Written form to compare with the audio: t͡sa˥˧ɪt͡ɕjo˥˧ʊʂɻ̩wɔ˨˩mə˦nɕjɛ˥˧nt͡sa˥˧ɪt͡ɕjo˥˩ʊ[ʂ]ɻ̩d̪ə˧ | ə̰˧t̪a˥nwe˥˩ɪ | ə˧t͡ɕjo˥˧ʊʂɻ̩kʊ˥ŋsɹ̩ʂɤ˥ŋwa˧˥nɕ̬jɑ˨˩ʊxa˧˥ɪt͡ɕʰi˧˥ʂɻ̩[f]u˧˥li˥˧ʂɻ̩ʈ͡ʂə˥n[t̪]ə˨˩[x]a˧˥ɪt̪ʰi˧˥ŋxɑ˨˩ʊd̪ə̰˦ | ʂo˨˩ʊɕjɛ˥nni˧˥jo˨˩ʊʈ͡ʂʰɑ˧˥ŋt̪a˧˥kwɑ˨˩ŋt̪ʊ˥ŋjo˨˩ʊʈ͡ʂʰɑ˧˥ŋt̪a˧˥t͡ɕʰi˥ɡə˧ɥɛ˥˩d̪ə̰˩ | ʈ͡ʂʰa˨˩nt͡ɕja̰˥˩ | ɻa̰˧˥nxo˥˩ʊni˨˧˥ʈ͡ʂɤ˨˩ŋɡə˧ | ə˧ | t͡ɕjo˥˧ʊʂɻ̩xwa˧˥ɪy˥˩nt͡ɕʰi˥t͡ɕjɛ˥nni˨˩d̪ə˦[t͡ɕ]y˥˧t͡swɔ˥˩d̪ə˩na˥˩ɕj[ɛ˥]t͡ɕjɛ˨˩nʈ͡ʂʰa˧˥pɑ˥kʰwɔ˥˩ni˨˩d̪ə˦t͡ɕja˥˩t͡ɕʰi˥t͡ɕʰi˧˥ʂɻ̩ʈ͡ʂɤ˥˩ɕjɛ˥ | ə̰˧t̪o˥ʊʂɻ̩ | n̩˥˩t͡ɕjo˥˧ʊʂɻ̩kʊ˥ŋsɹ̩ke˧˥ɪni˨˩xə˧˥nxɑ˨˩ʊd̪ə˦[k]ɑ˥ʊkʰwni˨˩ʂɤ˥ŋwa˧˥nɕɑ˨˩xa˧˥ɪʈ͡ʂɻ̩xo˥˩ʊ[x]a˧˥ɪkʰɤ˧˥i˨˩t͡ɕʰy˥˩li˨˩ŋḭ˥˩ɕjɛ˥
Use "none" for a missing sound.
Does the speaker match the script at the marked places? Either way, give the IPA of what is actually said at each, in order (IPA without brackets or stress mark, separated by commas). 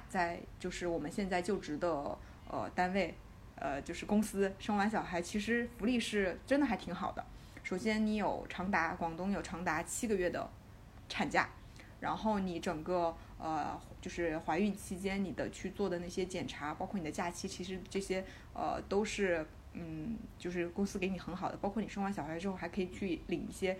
ʈ͡ʂ, f, d̪, x, t͡ɕʰ, ɛ˥, p, x